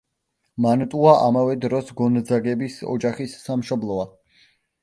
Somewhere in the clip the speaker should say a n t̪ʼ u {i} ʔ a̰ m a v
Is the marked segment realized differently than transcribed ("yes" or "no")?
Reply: yes